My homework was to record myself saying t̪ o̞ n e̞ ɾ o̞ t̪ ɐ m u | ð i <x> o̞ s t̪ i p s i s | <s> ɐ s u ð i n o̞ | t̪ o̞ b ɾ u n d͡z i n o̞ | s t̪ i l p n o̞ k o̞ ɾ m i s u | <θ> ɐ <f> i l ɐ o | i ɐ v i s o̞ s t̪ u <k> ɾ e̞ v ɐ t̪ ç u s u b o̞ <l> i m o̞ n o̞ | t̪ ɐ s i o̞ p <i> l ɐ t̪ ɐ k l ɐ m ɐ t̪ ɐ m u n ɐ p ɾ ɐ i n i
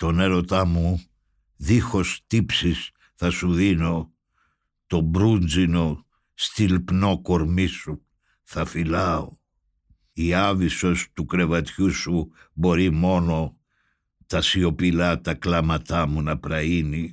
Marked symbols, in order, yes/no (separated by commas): yes, no, yes, yes, yes, no, yes